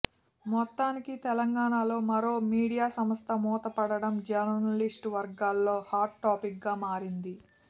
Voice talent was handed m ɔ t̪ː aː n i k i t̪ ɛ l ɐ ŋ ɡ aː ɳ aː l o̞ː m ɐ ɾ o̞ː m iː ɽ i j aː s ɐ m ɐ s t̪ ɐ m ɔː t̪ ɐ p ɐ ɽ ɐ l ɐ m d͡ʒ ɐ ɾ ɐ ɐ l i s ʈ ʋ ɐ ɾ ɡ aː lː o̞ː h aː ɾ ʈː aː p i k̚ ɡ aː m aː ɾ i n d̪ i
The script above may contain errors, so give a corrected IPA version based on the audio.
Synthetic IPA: m ɔ t̪ː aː n i k i t̪ ɛ l ɐ ŋ ɡ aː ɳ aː l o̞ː m ɐ ɾ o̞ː m iː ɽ i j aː s ɐ m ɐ s t̪ ɐ m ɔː t̪ ɐ p ɐ ɽ ɐ ɽ ɐ m d͡ʒ ɐ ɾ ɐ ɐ l i s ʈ ʋ ɐ ɾ ɡ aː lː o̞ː h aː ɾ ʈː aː p i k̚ ɡ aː m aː ɾ i n d̪ i

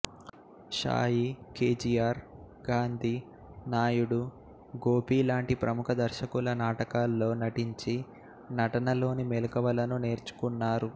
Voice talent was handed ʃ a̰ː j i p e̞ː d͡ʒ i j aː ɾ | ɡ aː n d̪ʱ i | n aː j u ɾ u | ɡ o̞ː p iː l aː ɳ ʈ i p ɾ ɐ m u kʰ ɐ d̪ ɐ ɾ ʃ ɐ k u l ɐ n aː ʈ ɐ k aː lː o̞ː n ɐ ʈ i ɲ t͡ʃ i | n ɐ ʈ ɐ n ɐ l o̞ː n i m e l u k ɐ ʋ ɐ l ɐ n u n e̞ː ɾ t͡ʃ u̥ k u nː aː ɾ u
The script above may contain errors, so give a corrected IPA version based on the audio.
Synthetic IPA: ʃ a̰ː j i k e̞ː d͡ʒ i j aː ɾ | ɡ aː n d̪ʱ i | n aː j u ɽ u | ɡ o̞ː p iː l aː ɳ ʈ i p ɾ ɐ m u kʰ ɐ d̪ ɐ ɾ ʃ ɐ k u l ɐ n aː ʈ ɐ k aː lː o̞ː n ɐ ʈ i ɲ t͡ʃ i | n ɐ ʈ ɐ n ɐ l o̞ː n i m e l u k ɐ ʋ ɐ l ɐ n u n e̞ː ɾ t͡ʃ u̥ k u nː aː ɾ u

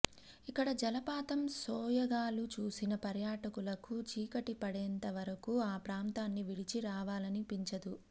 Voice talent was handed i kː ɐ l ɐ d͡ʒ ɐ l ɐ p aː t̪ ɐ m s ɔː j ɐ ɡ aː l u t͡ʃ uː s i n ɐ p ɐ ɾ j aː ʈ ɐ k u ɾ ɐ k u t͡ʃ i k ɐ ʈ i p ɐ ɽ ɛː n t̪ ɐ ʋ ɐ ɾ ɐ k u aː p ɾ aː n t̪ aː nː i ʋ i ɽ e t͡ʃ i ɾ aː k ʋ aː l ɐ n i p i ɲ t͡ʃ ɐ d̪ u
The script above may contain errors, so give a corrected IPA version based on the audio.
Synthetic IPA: i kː ɐ ɽ ɐ d͡ʒ ɐ l ɐ p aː t̪ ɐ m s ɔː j ɐ ɡ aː l u t͡ʃ uː s i n ɐ p ɐ ɾ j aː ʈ ɐ k u l ɐ k u t͡ʃ iː k ɐ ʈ i p ɐ ɽ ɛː n t̪ ɐ ʋ ɐ ɾ ɐ k u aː p ɾ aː n t̪ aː nː i ʋ i ɽ i t͡ʃ i ɾ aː ʋ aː l ɐ n i p i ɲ t͡ʃ ɐ d̪ u

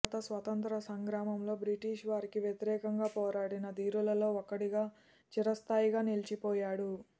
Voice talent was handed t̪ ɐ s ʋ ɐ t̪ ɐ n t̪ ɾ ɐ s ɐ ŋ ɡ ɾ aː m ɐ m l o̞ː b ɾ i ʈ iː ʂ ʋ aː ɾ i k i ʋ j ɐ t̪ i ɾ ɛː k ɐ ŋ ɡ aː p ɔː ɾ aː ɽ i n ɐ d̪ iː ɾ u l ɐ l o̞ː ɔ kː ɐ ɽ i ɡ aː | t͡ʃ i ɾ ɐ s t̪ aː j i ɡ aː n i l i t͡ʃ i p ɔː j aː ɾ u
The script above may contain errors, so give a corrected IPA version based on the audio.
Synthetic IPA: t̪ ɐ s ʋ ɐ t̪ ɐ n t̪ ɾ ɐ s ɐ ŋ ɡ ɾ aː m ɐ m l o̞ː b ɾ i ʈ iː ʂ ʋ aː ɾ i k i ʋ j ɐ t̪ i ɾ ɛː k ɐ ŋ ɡ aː p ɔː ɾ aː ɽ i n ɐ d̪ iː ɾ u l ɐ l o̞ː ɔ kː ɐ ɽ i ɡ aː | t͡ʃ i ɾ ɐ s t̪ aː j i ɡ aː n i l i t͡ʃ i p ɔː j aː ɽ u

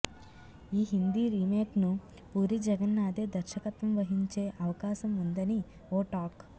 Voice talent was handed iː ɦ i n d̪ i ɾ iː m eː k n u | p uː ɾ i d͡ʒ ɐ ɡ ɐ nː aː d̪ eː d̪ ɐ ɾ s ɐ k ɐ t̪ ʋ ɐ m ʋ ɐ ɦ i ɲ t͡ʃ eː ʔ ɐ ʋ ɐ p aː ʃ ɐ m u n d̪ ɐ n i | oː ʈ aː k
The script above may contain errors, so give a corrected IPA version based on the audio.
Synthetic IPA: iː ɦ i n d̪ i ɾ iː m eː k n u | p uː ɾ i d͡ʒ ɐ ɡ ɐ nː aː d̪ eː d̪ ɐ ɾ ʃ ɐ k ɐ t̪ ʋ ɐ m ʋ ɐ ɦ i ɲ t͡ʃ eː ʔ ɐ ʋ ɐ k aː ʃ ɐ m u n d̪ ɐ n i | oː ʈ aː k

